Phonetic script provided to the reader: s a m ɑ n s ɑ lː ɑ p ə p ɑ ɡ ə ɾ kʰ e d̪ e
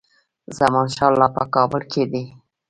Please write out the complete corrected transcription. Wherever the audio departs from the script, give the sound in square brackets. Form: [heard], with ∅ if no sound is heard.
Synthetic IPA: [z] a m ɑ n [ʃ] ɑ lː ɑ p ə [k] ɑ [b] ə [l] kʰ e d̪ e